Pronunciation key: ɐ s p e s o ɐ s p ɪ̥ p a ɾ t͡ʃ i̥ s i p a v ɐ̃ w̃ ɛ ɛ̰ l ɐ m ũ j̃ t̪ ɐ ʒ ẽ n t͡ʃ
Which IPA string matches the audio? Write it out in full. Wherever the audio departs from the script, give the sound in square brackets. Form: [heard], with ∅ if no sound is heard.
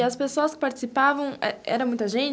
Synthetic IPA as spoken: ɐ s p e s o ɐ s [k] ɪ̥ p a ɾ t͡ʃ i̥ s i p a v ɐ̃ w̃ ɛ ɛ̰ [ɾ] ɐ m ũ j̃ t̪ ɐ ʒ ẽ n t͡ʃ

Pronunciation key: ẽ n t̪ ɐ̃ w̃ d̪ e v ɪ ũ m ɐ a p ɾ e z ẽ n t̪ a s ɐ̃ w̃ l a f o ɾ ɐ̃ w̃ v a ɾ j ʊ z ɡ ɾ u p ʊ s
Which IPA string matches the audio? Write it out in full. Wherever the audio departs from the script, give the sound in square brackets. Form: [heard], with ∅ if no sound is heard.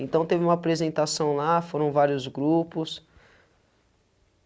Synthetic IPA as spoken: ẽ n t̪ ɐ̃ w̃ [t̪] e v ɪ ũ m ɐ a p ɾ e z ẽ n t̪ a s ɐ̃ w̃ l a f o ɾ ɐ̃ w̃ v a ɾ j ʊ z ɡ ɾ u p ʊ s

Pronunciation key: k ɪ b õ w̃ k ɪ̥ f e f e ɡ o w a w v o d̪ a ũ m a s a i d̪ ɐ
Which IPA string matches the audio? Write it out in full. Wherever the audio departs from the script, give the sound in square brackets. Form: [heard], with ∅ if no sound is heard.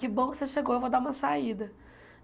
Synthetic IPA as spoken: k ɪ b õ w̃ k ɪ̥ [s] e [ʃ] e ɡ o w [e] w v o d̪ a ũ m [ɐ] s a i d̪ ɐ

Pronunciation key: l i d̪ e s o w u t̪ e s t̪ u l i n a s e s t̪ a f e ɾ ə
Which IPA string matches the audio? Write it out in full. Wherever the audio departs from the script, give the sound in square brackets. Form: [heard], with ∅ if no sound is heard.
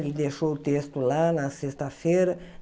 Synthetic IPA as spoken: l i d̪ e [ʃ] o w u t̪ e s t̪ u l [a] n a s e s t̪ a f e ɾ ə

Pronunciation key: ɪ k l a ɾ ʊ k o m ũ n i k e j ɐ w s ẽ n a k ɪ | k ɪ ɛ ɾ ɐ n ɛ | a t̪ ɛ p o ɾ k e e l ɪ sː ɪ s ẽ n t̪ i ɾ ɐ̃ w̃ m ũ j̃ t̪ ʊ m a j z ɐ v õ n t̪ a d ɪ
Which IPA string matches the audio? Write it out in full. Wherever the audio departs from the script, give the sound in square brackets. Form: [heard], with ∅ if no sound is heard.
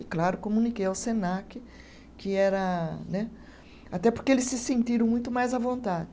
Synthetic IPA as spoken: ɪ k l a ɾ ʊ k o m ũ n i k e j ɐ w s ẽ n a k ɪ | k ɪ ɛ ɾ ɐ n ɛ | a t̪ ɛ p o ɾ k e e l ɪ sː ɪ s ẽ n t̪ i ɾ ɐ̃ w̃ m ũ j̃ t̪ ʊ m a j z ɐ v õ n t̪ a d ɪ

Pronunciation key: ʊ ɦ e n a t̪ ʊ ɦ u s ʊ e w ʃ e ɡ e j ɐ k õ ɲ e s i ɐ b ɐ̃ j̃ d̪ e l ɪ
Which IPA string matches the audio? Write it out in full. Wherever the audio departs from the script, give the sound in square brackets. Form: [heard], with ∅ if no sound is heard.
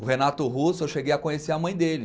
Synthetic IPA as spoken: ʊ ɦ e n a t̪ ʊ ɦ u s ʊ e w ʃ e ɡ e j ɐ k õ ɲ e s [e] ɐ [m] ɐ̃ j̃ d̪ e l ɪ

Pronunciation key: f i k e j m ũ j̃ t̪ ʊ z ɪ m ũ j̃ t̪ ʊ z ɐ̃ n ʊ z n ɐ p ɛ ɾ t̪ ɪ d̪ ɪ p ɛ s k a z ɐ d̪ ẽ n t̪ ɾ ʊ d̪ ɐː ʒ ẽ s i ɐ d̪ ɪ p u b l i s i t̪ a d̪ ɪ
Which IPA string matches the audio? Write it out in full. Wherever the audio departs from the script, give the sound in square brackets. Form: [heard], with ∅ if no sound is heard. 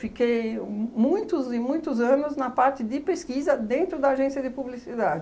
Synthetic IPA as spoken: f i k e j m ũ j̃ t̪ ʊ z ɪ m ũ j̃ t̪ ʊ z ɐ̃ n ʊ z n ɐ p [a] ɾ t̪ ɪ d̪ ɪ p [e] s k [i] z ɐ d̪ ẽ n t̪ ɾ ʊ d̪ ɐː ʒ ẽ s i ɐ d̪ ɪ p u b l i s i [d̪] a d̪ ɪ

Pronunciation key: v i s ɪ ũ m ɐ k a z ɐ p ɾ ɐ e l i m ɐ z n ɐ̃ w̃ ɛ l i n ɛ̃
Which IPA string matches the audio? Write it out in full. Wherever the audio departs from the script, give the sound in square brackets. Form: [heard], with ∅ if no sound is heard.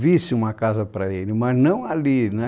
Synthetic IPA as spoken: v i s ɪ ũ m ɐ k a z ɐ p ɾ ɐ e l [ɪ] m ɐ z n ɐ̃ w̃ [a] l i n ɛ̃

